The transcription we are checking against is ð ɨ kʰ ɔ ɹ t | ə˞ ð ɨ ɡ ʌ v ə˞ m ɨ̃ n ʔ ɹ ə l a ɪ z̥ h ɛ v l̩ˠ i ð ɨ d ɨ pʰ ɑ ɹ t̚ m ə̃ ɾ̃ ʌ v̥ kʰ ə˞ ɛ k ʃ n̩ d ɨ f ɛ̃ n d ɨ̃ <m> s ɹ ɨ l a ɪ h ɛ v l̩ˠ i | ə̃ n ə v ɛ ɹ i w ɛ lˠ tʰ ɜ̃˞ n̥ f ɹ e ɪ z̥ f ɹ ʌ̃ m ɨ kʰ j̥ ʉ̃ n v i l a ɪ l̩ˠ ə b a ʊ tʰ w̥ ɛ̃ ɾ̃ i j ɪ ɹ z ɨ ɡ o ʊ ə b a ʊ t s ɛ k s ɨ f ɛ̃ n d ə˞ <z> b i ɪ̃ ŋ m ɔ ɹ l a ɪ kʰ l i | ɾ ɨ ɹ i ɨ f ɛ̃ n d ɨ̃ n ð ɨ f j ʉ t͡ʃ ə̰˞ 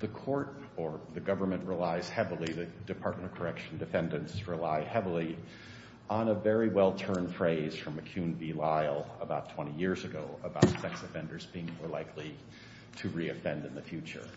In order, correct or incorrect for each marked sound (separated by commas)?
incorrect, correct